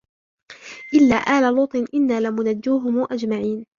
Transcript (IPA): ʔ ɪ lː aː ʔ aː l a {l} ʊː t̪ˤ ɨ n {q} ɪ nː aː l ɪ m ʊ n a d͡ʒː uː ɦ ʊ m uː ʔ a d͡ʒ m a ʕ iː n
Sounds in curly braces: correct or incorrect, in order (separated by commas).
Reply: correct, incorrect